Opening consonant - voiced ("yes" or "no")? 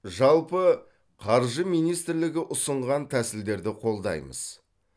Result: yes